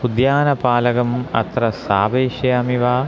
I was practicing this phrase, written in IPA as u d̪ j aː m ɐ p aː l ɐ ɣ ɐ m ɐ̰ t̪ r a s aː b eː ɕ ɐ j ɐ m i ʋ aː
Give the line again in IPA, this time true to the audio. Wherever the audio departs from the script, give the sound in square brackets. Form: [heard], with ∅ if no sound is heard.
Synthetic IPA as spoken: u d̪ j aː [n] ɐ p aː l ɐ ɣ ɐ m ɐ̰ t̪ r [ɐ] s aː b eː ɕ ɐ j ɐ m i ʋ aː